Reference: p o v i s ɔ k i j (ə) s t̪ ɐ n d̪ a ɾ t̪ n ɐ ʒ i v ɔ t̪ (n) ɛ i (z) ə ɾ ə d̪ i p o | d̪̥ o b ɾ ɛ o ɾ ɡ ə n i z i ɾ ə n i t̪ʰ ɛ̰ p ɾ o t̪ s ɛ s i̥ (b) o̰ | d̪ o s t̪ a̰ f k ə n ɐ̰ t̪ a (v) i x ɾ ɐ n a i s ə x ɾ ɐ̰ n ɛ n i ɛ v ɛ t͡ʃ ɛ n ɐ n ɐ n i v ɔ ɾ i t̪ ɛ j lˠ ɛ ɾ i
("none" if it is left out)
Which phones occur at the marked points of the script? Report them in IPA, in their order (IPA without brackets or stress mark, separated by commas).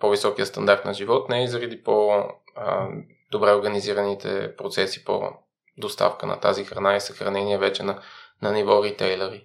ə, n, z, p, z